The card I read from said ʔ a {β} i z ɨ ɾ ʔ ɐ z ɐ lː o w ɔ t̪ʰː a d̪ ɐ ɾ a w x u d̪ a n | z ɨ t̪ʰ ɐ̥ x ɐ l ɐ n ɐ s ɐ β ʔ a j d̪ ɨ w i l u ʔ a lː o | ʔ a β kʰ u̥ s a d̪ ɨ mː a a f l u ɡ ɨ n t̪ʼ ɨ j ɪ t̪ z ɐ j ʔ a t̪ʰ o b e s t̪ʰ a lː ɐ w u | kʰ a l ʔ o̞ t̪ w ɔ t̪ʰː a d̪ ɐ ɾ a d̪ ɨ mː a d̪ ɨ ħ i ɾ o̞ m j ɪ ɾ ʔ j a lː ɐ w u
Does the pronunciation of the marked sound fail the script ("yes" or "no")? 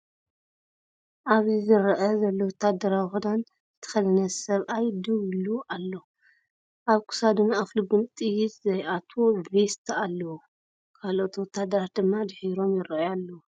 no